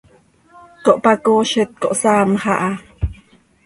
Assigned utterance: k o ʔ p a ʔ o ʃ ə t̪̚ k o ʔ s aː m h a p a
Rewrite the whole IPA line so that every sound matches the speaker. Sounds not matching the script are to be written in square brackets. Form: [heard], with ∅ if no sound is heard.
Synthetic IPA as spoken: k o ʔ p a [k] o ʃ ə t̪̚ k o ʔ s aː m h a [ʔ] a